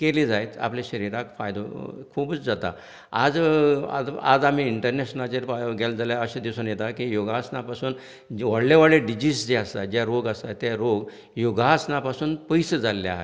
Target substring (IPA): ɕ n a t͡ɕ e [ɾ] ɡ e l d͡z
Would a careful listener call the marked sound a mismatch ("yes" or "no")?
no